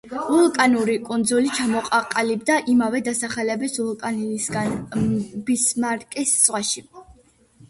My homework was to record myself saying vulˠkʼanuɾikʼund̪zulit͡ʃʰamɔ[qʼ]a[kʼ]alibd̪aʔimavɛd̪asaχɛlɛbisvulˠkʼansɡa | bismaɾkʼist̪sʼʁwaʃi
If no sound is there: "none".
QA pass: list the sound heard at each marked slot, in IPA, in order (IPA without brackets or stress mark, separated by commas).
qʼ, qʼ